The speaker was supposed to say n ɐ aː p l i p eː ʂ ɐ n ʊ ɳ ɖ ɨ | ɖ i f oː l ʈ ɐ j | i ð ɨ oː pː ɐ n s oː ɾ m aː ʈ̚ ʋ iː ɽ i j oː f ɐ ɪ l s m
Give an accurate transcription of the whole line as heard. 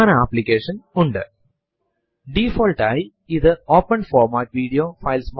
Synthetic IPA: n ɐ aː p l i k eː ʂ ɐ n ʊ ɳ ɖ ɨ | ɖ i f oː l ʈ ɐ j | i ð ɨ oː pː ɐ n f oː ɾ m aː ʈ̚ ʋ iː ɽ i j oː f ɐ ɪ l s m